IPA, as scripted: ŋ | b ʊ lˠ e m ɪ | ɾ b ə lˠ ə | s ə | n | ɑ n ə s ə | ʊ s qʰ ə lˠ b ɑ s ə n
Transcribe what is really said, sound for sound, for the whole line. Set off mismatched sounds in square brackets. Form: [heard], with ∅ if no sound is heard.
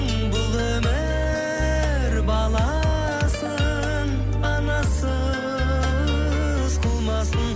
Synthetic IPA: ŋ | b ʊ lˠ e m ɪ | ɾ b [ɑ] lˠ [ɑ] | s ə | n | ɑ n [ɑ] s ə | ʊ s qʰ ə lˠ [m] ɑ s ə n